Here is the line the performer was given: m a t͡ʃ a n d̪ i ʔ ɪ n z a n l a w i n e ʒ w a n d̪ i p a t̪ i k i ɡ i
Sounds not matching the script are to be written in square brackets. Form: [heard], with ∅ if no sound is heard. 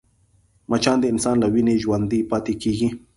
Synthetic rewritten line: m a t͡ʃ a n d̪ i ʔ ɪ n [s] a n l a w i n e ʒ w a n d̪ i p a t̪ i k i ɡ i